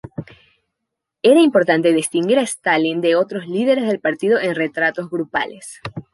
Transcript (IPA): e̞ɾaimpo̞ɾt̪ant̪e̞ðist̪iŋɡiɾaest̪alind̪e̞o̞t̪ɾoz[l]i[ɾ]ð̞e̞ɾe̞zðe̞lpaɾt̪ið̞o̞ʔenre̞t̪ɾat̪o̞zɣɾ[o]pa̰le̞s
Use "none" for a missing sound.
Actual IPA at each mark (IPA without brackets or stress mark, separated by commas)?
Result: l, none, u